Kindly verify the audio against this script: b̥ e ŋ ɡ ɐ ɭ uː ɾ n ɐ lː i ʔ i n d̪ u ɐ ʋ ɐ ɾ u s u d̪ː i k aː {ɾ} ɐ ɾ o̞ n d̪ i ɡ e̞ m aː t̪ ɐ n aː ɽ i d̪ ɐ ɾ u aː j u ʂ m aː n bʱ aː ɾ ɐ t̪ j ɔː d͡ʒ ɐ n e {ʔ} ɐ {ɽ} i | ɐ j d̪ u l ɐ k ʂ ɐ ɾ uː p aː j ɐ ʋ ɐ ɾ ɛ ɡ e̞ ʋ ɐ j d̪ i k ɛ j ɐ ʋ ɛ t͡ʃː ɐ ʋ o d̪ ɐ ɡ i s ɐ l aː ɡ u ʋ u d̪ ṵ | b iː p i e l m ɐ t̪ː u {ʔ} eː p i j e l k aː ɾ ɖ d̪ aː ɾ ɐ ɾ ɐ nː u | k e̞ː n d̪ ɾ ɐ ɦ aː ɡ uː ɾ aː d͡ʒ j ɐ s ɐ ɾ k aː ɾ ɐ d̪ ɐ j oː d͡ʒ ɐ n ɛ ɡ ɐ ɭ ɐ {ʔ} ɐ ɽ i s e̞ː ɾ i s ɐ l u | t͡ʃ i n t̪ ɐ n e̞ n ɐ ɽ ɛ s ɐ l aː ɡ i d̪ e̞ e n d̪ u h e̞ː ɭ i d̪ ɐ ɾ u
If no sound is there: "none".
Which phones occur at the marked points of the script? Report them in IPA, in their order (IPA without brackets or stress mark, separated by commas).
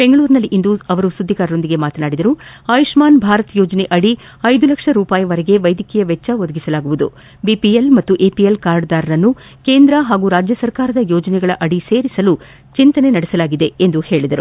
ɾ, ʔ, ɽ, ʔ, ʔ